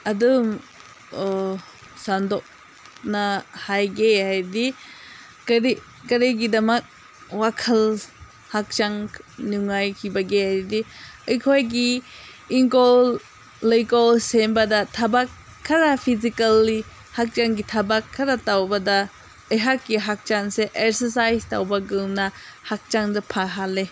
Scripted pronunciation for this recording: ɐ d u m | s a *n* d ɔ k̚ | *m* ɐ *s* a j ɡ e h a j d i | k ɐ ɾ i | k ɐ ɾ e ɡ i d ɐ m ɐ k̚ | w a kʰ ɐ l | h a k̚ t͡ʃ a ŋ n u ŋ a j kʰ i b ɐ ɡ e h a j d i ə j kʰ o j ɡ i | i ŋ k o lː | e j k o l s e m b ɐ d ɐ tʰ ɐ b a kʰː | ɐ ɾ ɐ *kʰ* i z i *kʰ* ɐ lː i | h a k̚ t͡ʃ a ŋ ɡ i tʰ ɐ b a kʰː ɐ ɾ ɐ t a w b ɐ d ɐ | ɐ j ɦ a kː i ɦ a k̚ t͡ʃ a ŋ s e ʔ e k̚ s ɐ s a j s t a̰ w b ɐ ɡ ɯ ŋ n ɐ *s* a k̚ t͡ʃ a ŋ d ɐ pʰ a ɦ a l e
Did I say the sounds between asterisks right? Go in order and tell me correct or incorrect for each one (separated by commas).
correct, incorrect, incorrect, incorrect, incorrect, incorrect